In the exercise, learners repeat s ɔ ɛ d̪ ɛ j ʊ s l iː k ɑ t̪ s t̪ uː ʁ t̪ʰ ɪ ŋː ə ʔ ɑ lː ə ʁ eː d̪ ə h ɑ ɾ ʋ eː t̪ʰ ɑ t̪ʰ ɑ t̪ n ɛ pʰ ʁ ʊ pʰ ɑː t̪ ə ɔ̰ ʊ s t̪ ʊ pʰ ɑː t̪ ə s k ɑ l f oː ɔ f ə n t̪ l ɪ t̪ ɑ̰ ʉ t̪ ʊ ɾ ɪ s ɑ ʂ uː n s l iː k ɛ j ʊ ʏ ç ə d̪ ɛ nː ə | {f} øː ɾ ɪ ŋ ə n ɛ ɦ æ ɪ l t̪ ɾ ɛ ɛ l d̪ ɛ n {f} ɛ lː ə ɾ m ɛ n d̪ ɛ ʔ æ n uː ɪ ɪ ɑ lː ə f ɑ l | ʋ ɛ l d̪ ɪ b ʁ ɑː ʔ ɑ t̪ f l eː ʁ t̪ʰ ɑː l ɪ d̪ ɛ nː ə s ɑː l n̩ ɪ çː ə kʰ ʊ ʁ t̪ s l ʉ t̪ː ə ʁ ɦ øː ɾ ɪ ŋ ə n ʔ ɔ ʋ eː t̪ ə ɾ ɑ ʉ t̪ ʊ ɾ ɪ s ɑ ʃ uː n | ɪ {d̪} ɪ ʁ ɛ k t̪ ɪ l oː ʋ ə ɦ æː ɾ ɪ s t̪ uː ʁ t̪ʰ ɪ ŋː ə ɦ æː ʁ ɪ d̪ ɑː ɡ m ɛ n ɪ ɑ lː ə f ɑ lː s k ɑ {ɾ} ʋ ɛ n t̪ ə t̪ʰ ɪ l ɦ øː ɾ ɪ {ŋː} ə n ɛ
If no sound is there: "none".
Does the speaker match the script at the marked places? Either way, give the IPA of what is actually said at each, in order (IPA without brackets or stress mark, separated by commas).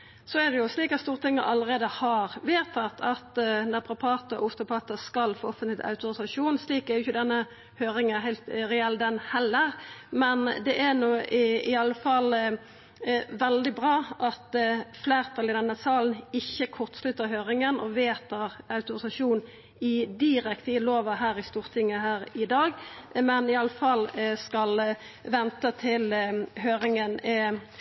h, h, d̪, l, ŋ